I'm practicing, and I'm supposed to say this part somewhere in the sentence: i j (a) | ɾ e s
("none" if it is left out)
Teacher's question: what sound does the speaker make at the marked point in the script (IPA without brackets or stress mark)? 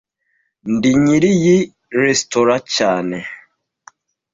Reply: i